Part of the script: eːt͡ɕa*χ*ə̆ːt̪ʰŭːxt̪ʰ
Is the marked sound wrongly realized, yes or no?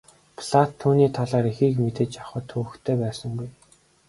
no